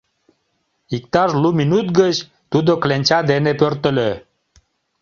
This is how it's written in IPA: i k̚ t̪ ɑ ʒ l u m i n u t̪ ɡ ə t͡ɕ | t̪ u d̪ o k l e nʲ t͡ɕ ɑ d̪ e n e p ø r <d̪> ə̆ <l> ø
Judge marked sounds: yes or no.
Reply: no, yes

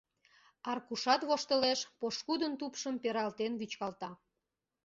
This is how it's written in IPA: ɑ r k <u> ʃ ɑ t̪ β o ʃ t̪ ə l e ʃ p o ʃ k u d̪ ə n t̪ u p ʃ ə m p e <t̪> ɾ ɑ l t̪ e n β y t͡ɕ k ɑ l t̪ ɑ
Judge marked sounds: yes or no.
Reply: yes, no

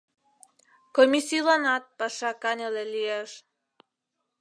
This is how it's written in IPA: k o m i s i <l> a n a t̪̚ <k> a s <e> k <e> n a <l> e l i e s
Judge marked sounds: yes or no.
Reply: yes, no, no, no, yes

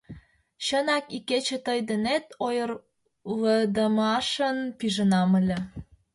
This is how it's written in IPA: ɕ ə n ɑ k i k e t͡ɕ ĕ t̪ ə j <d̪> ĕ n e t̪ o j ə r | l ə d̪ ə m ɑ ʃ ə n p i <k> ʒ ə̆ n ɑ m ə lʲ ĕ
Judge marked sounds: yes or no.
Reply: yes, no

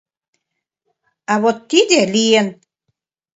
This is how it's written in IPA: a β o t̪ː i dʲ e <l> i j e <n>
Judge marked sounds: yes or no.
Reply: yes, yes

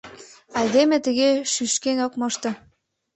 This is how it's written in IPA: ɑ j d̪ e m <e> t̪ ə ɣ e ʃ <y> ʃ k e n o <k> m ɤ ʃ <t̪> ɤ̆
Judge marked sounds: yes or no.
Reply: yes, yes, yes, yes

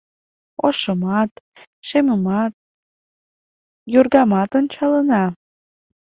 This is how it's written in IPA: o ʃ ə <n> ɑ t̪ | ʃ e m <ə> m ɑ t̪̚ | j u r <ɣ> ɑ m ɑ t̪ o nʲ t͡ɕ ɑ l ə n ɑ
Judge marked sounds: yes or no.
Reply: no, yes, yes

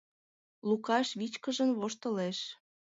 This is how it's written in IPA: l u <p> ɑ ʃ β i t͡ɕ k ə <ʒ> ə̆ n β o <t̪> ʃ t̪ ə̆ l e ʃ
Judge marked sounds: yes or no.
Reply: no, yes, no

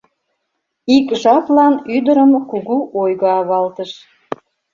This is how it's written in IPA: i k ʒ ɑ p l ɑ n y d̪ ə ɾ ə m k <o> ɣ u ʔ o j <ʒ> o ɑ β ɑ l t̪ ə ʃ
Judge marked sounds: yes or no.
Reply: no, no

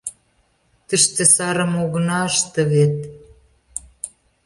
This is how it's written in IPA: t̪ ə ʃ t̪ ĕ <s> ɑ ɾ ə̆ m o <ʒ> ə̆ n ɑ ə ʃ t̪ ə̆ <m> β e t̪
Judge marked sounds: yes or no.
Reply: yes, no, no

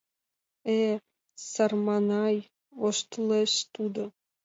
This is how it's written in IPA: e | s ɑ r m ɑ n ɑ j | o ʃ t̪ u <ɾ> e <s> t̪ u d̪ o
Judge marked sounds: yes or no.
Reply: no, no

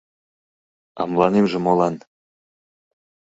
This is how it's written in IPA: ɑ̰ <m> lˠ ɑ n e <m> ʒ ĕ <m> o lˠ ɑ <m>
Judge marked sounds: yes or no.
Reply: yes, yes, yes, no

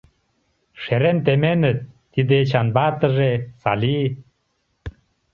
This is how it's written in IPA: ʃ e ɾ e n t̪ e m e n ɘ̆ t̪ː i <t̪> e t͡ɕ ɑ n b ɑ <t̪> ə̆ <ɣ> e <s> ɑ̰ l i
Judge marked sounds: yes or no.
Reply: no, yes, no, yes

